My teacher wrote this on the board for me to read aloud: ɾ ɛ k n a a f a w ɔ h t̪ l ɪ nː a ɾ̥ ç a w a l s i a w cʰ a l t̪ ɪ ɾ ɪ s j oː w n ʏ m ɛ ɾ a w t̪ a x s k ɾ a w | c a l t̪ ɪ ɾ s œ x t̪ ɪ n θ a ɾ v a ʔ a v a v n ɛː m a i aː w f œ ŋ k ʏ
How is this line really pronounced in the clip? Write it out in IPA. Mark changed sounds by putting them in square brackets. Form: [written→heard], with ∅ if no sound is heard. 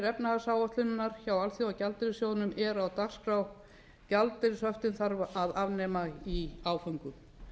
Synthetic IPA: ɾ ɛ [k→p] n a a [f→s] a w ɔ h t̪ l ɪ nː a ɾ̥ ç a w a l [s→θ] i a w [cʰ→c] a l t̪ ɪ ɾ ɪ s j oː w n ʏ m ɛ ɾ a w t̪ a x s k ɾ a w | c a l t̪ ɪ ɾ s œ [x→f] t̪ ɪ n θ a ɾ v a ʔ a [v→ð] a v n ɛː m a i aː w f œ ŋ k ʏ